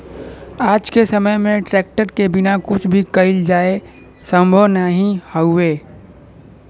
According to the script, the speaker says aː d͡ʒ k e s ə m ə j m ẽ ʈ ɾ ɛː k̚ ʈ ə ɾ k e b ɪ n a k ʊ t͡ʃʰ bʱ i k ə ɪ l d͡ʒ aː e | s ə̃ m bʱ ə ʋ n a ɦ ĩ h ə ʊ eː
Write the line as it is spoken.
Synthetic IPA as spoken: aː d͡ʒ k e s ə m ə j m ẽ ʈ ɾ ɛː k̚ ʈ ə ɾ k e b ɪ n a k ʊ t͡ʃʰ bʱ i k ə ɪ l d͡ʒ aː e | s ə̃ m bʱ ə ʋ n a ɦ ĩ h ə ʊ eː